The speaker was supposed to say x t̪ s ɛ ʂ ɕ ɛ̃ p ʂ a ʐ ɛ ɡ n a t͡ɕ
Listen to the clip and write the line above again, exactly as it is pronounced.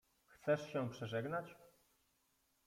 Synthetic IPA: x t̪ s ɛ ʂ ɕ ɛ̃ p ʂ ɛ ʐ ɛ ɡ n a t͡ɕ